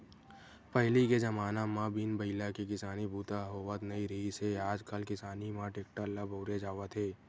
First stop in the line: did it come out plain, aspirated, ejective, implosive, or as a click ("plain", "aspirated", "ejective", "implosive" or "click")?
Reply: plain